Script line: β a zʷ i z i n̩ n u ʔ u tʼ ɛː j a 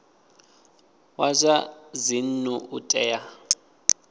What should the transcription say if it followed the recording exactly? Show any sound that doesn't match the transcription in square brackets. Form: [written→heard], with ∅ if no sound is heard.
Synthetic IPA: [β→w] a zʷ [i→a] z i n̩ n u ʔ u tʼ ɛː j a